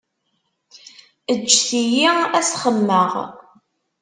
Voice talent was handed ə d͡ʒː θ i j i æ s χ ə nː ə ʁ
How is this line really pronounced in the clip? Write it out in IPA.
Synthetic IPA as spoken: ə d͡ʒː θ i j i æ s χ ə mː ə ʁ